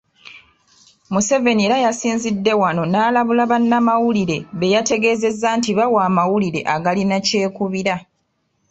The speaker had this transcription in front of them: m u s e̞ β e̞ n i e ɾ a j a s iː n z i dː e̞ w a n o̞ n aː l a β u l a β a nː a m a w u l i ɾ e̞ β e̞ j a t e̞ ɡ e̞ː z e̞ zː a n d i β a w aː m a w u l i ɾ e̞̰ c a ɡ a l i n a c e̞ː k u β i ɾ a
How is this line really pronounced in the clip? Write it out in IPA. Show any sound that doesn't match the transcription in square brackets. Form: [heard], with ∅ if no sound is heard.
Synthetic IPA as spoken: m u s e̞ [v] e̞ n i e ɾ a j a s iː n z i dː e̞ w a n o̞ n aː l a β u l a β a nː a m a w u l i ɾ e̞ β e̞ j a t e̞ ɡ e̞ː z e̞ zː a n [t] i β a w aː m a w u l i ɾ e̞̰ [ʔ] a ɡ a l i n a c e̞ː k u β i ɾ a